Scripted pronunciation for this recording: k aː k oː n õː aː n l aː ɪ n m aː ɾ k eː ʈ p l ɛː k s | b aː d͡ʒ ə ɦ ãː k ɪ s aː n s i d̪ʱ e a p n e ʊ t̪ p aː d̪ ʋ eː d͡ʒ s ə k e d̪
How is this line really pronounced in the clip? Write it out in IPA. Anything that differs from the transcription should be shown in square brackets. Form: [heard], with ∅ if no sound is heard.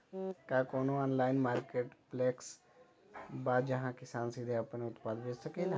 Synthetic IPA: k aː k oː n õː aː n l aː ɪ n m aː ɾ k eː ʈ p l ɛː k s | b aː d͡ʒ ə ɦ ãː k ɪ s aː n s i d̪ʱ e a p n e ʊ t̪ p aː d̪ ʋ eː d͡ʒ s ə k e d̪